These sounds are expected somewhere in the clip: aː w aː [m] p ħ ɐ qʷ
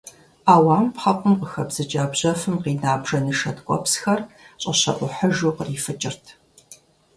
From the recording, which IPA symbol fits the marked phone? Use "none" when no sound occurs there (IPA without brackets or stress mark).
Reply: m